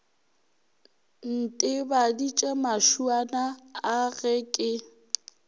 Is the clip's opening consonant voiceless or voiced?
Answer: voiced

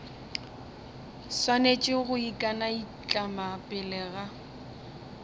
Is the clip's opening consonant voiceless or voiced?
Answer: voiceless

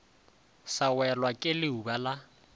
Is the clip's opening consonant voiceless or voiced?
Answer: voiceless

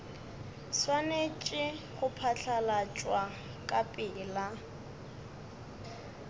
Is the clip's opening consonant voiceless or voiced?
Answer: voiceless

